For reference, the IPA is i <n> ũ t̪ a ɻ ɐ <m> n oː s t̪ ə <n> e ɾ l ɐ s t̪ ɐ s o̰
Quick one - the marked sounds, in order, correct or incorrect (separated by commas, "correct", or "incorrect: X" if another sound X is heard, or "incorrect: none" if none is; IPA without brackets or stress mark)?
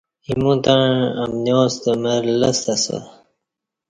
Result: incorrect: m, correct, incorrect: m